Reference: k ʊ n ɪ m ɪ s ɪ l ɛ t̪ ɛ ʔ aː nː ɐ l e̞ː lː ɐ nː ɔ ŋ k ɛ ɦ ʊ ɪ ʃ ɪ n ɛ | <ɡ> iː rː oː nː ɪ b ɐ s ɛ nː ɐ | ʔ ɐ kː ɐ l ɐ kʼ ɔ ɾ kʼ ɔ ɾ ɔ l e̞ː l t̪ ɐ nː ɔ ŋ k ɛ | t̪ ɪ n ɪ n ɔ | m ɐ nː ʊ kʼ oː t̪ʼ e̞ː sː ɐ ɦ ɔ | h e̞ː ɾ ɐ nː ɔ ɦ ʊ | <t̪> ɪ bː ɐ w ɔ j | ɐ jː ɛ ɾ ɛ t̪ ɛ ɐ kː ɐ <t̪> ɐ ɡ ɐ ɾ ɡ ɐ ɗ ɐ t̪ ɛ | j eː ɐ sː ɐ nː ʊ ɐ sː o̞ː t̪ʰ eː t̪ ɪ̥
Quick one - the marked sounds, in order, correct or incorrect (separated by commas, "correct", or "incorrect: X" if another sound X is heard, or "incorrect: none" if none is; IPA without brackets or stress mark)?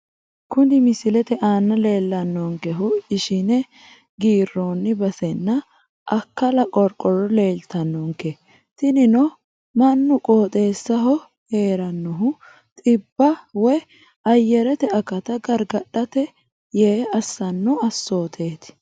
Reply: correct, incorrect: t̪ʼ, correct